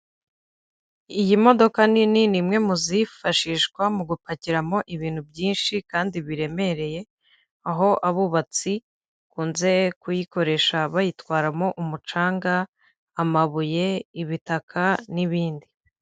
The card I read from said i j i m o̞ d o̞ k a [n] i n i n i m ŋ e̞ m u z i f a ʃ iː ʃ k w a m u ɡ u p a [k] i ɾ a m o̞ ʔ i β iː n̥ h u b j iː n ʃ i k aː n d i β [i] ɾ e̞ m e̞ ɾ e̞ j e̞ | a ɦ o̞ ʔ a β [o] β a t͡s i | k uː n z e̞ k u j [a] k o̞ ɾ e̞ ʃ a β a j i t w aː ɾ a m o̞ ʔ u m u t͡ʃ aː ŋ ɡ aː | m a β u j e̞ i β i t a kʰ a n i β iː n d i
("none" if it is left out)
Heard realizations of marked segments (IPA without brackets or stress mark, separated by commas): n, c, i, u, i